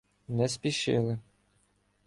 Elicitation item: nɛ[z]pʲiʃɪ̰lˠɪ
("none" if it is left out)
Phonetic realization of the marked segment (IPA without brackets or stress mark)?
s